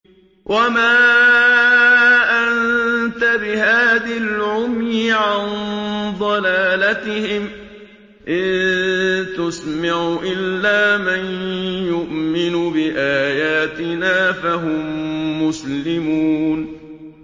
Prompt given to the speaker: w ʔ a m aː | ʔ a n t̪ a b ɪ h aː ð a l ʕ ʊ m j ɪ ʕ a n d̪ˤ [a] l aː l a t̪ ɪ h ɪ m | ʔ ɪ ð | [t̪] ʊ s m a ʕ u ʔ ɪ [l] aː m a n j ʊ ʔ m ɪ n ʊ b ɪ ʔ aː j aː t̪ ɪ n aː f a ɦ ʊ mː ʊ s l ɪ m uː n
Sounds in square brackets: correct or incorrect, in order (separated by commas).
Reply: incorrect, correct, incorrect